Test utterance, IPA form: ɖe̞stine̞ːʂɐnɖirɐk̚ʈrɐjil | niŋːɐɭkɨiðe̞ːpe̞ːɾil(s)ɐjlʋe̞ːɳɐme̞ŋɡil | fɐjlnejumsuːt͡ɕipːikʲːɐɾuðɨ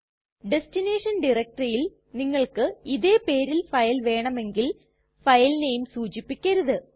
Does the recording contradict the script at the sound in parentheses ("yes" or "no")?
yes